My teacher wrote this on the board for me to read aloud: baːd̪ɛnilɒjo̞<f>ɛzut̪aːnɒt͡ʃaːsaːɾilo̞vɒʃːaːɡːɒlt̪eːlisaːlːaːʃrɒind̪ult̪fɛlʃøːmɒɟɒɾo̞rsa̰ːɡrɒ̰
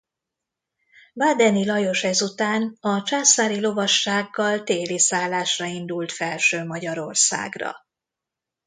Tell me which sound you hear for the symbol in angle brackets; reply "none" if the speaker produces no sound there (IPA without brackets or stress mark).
ʃ